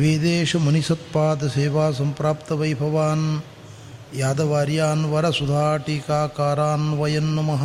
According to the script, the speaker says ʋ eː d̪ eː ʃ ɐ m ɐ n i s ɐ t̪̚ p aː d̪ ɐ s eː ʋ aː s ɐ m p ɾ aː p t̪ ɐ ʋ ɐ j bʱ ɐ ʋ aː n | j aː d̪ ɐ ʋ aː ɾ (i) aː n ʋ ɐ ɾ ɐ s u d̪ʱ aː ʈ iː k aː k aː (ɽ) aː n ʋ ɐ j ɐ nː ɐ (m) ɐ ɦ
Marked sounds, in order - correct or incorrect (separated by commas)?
incorrect, incorrect, correct